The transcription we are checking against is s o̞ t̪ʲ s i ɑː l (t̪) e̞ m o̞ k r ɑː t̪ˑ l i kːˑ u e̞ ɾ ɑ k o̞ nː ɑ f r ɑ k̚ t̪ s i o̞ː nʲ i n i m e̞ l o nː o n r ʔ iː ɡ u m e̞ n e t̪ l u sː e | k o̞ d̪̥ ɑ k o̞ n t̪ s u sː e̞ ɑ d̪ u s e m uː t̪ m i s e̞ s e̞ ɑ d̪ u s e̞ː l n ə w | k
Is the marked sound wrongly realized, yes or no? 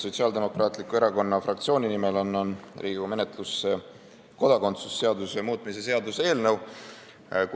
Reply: yes